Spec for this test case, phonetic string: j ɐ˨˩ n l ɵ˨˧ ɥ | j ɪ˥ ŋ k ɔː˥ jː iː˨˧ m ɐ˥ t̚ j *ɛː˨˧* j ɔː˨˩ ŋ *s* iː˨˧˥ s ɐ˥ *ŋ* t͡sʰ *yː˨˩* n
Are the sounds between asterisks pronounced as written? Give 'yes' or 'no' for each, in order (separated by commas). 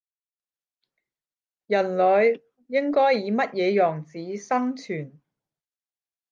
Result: yes, no, yes, yes